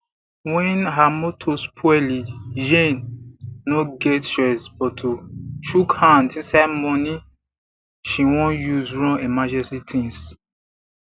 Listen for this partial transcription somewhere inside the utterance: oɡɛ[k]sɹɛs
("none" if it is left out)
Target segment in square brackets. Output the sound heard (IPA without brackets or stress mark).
t